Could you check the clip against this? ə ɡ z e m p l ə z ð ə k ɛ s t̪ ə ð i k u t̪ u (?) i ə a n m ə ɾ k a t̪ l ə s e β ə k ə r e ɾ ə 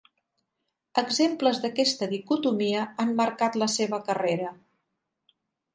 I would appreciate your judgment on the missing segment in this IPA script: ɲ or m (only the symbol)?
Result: m